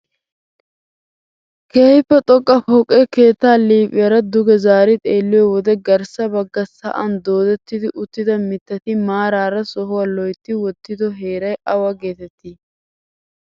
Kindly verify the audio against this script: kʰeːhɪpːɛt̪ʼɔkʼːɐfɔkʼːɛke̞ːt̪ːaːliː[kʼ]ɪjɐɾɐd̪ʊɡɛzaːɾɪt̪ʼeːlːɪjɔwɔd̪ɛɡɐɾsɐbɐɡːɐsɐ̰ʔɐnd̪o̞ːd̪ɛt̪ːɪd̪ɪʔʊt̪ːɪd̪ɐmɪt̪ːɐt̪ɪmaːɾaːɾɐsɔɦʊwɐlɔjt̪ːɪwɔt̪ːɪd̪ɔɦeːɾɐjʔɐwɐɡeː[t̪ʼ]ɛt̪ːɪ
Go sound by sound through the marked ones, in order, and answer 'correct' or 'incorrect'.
incorrect: pʼ, incorrect: t̪

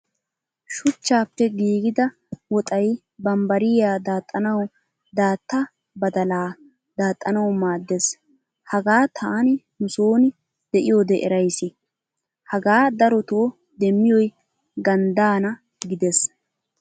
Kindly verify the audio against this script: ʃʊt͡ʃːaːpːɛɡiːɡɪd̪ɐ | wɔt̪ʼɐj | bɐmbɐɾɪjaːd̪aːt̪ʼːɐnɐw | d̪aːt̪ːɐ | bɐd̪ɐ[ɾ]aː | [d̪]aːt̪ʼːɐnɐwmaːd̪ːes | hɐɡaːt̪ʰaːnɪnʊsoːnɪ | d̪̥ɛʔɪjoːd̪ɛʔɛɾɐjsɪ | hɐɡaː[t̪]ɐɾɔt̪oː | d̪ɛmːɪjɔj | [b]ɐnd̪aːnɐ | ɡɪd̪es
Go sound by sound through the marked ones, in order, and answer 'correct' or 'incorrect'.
incorrect: l, correct, incorrect: d̪, incorrect: ɡ

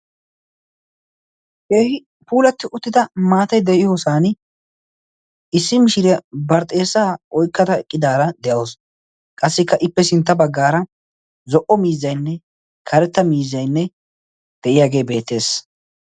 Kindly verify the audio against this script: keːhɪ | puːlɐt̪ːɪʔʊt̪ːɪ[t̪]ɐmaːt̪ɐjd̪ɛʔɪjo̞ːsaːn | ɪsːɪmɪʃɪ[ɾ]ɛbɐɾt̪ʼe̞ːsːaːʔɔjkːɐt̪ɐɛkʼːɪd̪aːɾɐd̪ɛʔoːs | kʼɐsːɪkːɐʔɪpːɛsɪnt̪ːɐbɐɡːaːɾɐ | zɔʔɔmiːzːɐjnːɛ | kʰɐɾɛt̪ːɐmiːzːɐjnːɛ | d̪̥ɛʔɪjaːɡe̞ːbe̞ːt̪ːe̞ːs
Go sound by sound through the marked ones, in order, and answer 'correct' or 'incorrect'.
incorrect: d̪, correct

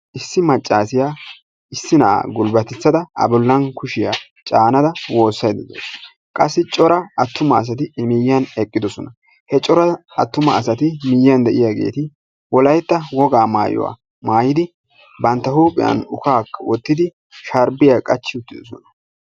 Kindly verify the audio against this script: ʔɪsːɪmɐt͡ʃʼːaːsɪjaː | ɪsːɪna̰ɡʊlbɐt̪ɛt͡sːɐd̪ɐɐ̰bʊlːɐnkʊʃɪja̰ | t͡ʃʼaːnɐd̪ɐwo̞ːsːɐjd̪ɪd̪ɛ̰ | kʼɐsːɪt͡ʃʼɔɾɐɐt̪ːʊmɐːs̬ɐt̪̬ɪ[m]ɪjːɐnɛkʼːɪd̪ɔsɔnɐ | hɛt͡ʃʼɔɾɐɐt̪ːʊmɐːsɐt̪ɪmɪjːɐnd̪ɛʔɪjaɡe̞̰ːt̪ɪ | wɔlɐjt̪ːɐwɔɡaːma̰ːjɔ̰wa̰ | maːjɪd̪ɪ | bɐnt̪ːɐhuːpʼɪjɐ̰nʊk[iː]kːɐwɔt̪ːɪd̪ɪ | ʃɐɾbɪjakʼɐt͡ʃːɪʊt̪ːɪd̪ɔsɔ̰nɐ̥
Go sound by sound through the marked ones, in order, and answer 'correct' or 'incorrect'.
correct, incorrect: aː

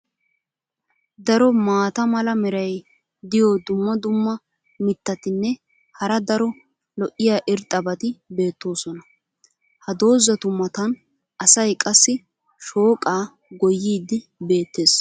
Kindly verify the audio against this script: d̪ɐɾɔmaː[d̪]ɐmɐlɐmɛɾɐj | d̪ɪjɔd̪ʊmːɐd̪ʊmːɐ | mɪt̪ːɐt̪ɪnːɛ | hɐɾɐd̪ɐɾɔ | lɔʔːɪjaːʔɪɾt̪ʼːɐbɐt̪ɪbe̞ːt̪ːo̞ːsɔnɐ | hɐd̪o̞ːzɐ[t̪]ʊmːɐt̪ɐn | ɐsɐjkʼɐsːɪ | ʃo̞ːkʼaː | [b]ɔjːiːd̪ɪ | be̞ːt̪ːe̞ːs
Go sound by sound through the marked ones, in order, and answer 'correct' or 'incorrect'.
incorrect: t̪, correct, incorrect: ɡ

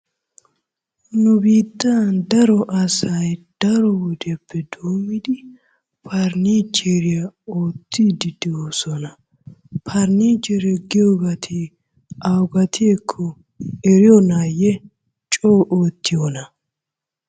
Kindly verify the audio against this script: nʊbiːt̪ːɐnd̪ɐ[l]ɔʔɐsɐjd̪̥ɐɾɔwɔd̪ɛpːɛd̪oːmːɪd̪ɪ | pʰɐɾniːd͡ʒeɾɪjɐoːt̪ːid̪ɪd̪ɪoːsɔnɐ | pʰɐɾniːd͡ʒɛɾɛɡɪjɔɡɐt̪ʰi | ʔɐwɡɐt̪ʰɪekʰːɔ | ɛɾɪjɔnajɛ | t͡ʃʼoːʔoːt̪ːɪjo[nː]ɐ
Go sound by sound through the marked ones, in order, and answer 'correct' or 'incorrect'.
incorrect: ɾ, incorrect: n

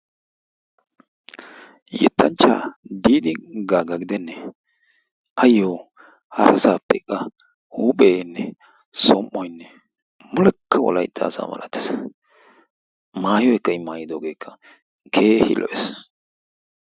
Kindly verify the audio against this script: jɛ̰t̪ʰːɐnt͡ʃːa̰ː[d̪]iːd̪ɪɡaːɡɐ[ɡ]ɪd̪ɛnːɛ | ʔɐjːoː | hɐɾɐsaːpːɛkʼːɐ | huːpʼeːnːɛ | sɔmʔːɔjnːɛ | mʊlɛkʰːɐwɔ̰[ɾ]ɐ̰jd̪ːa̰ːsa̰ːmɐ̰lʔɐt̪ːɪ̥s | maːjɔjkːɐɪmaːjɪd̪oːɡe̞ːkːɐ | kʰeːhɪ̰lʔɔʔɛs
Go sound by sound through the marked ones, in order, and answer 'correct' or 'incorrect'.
correct, correct, incorrect: l

